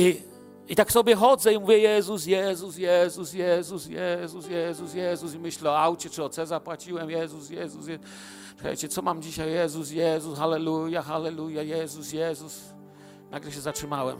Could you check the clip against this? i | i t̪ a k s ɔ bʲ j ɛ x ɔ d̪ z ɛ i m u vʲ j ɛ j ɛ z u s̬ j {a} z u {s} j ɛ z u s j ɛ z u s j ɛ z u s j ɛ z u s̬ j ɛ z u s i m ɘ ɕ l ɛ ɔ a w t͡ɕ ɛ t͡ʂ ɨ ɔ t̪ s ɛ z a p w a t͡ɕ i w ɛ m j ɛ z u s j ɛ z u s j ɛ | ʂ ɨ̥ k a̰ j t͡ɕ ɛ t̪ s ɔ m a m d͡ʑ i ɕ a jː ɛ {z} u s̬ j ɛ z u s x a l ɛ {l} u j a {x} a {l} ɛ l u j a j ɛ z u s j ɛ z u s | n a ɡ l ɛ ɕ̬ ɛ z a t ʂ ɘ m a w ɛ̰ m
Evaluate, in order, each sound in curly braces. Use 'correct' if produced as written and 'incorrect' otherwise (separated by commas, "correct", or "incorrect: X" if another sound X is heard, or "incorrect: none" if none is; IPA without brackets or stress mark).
incorrect: ɛ, correct, correct, correct, correct, correct